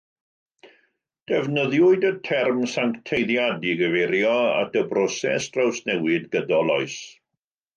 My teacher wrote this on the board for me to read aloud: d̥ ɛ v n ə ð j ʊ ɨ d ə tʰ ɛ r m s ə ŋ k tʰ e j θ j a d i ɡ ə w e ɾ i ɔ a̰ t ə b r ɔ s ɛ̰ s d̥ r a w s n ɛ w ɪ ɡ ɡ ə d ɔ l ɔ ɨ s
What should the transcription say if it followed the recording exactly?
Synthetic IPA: d̥ ɛ v n ə ð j ʊ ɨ d ə tʰ ɛ r m s a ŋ k tʰ e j ð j a d i ɡ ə v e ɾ j ɔ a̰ t ə b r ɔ s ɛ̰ s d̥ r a w s n ɛ w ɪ d ɡ ə d ɔ l ɔ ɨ s